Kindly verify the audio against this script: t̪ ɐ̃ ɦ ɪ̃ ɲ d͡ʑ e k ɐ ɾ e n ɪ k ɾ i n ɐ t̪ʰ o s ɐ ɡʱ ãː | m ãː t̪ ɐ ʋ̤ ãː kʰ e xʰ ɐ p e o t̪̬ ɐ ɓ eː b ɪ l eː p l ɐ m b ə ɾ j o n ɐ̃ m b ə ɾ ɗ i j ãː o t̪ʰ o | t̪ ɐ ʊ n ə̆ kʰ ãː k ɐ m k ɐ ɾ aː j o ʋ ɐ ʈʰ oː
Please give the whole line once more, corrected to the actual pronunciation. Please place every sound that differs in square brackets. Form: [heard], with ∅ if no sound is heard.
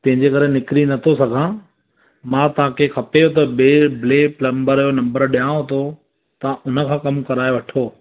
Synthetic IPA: t̪ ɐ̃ ɦ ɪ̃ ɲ d͡ʑ e k ɐ ɾ e n ɪ k ɾ i n ɐ t̪ʰ o s ɐ ɡʱ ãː | m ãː t̪ ɐ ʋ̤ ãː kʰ e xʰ ɐ p e o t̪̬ ɐ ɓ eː b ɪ l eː p l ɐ m b ə ɾ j o n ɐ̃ m b ə ɾ ɗ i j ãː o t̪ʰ o | t̪ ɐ ʊ n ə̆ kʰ ãː k ɐ m k ɐ ɾ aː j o ʋ ɐ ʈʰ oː